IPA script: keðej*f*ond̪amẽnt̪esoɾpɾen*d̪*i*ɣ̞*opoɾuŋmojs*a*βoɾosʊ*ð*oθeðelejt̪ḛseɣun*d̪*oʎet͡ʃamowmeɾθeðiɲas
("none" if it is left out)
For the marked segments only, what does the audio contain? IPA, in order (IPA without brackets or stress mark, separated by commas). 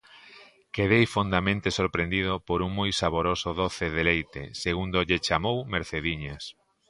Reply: f, d̪, ð̞, a, ð, d̪